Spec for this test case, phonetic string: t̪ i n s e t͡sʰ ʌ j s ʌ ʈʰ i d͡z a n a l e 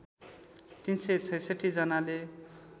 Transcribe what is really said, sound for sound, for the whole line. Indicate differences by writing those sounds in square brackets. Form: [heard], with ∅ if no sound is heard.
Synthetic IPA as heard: t̪ i n s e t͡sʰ ʌ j s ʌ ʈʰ i d͡z [ʌ] n a l e